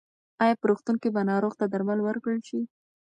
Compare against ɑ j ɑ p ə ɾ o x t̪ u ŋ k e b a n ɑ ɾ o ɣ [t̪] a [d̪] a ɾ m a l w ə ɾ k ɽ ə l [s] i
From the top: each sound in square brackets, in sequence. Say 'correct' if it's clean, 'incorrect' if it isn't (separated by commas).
correct, correct, incorrect